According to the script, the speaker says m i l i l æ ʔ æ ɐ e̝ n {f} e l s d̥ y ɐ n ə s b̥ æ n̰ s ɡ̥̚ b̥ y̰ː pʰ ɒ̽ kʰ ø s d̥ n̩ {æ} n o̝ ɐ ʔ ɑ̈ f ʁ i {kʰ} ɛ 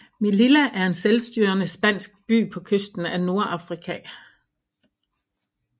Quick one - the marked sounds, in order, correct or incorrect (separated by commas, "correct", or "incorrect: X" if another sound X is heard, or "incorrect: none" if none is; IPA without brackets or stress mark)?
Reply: incorrect: s, correct, correct